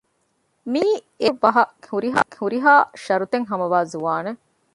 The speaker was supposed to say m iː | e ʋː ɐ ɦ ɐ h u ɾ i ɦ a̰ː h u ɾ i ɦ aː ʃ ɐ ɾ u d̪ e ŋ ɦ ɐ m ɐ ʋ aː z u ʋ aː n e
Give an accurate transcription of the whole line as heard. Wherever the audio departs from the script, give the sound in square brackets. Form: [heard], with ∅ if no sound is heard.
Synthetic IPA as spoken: m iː | e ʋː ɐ ɦ ɐ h u ɾ i ɦ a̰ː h u ɾ i ɦ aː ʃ ɐ ɾ u [t̪] e ŋ ɦ ɐ m ɐ ʋ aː z u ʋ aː n e